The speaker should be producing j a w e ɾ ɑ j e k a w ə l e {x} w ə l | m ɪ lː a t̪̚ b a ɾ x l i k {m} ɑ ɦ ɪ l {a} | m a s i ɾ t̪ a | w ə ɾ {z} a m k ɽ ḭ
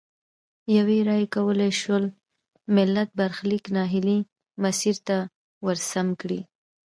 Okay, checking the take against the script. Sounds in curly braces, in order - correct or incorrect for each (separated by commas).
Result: incorrect, incorrect, incorrect, incorrect